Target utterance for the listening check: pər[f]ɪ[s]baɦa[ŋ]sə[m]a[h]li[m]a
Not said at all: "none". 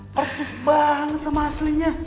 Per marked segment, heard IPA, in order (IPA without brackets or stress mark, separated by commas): s, s, ŋ, m, s, ɲ